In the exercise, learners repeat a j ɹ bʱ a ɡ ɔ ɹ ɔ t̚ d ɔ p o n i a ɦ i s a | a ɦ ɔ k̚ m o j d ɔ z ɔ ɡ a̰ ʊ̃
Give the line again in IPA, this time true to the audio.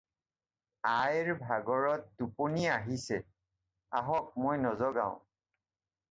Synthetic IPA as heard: a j ɹ bʱ a ɡ ɔ ɹ ɔ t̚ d u p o n i a ɦ i s ɛ | a ɦ ɔ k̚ m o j n ɔ z ɔ ɡ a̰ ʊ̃